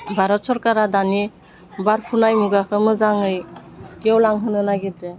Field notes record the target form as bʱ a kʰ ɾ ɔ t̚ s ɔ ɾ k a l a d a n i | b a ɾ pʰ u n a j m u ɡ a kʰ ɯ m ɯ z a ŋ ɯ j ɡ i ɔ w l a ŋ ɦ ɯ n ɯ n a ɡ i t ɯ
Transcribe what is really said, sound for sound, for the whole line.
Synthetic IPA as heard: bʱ a ɾ ɔ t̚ s ɔ ɾ k a ɾ a d a n i | b a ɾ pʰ u n a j m u ɡ a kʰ ɯ m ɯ z a ŋ ɯ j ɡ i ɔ w l a ŋ ɦ ɯ n ɯ n a ɡ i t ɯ